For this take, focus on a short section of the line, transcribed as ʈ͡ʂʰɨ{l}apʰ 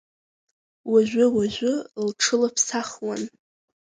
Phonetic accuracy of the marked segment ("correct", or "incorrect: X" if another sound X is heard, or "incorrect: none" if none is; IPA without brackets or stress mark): correct